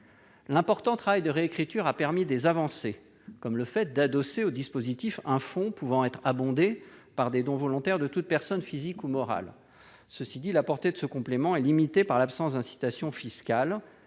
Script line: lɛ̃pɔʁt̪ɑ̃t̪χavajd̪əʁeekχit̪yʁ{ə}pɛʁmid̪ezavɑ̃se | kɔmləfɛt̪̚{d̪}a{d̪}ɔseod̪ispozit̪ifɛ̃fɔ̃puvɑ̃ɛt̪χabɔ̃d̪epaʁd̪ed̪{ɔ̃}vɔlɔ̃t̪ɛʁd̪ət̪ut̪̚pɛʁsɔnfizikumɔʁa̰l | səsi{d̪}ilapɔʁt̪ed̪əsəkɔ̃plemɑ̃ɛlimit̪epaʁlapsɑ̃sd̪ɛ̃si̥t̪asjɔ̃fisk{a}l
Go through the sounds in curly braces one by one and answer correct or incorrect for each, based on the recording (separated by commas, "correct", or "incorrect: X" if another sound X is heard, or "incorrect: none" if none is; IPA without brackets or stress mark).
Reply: incorrect: a, correct, correct, correct, correct, correct